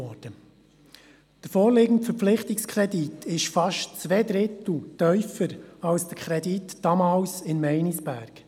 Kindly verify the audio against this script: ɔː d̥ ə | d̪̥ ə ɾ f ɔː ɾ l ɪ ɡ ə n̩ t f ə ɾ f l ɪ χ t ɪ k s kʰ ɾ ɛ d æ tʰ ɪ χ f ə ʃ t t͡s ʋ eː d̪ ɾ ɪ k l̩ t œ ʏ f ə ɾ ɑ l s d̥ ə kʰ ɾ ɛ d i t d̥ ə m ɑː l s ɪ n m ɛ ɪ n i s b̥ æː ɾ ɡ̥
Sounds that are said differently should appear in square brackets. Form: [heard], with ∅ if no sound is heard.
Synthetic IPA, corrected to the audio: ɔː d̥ ə | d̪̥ ə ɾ f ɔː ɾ l ɪ ɡ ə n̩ t f ə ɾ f l ɪ χ t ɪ k s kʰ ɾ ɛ d [i] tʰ ɪ [ʃ] f [ɑ] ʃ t t͡s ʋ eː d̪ ɾ ɪ [t] l̩ t œ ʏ f ə ɾ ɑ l s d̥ ə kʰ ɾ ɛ d i t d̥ [ɑ] m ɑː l s ɪ n m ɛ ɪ n i s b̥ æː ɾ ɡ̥